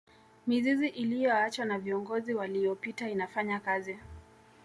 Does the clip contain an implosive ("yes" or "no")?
no